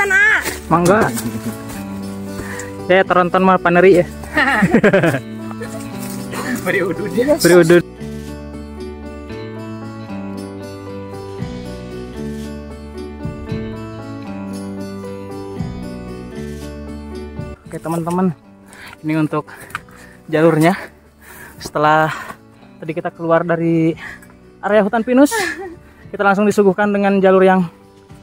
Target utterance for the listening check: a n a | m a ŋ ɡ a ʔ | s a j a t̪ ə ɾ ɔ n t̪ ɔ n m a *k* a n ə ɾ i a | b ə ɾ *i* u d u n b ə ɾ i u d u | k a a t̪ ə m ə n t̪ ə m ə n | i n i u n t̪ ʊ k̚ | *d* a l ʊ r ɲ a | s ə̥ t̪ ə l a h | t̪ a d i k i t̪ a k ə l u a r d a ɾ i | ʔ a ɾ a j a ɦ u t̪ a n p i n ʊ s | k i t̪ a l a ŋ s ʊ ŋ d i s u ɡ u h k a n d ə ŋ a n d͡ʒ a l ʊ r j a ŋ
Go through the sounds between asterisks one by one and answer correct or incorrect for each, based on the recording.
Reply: incorrect: p, correct, incorrect: d͡ʒ

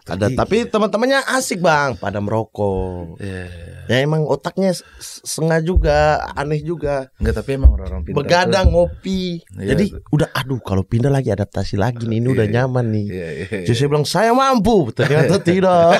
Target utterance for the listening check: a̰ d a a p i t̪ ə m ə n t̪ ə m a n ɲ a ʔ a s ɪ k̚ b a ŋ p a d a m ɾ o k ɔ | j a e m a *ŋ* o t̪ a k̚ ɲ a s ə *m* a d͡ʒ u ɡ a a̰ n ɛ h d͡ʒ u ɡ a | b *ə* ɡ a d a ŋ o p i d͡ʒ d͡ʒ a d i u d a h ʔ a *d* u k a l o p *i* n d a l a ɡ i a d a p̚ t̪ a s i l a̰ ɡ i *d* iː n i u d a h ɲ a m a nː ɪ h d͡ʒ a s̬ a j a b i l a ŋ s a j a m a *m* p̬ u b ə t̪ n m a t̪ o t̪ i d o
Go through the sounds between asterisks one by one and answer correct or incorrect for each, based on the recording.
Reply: correct, incorrect: ŋ, correct, correct, correct, incorrect: n, correct

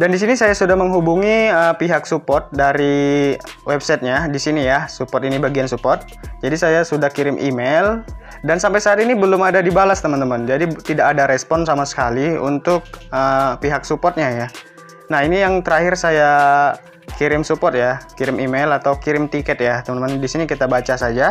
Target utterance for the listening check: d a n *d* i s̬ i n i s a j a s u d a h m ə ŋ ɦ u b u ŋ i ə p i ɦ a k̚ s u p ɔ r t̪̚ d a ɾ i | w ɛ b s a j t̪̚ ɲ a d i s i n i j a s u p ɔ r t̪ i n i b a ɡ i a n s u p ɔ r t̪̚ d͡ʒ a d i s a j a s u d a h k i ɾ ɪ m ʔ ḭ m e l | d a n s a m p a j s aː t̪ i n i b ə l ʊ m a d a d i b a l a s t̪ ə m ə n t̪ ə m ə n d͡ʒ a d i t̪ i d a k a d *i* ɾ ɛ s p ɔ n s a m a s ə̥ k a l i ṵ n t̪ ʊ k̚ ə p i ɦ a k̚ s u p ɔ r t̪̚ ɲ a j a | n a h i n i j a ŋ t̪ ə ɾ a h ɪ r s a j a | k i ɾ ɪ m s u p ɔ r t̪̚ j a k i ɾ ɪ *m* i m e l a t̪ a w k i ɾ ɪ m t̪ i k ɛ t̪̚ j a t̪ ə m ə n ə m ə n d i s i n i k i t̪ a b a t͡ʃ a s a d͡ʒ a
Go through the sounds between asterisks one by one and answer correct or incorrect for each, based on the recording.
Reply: correct, incorrect: a, correct

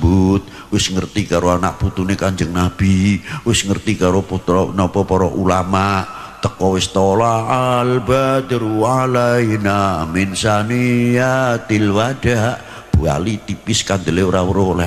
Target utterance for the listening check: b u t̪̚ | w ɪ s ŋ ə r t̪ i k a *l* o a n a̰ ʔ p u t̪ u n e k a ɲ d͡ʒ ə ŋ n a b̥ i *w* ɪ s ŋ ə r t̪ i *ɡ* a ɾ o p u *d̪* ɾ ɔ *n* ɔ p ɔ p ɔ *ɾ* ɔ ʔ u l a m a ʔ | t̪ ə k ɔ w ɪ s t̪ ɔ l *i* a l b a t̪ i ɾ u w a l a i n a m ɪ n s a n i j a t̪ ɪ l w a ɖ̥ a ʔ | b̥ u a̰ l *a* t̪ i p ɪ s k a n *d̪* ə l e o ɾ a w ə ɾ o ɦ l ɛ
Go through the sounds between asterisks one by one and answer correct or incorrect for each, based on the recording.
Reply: incorrect: ɾ, correct, incorrect: k, incorrect: t̪, correct, correct, incorrect: a, incorrect: i, correct

